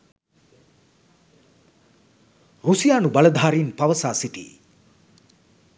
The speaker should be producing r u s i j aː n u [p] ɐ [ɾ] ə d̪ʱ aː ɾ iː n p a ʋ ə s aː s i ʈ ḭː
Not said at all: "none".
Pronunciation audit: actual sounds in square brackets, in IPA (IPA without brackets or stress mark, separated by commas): b, l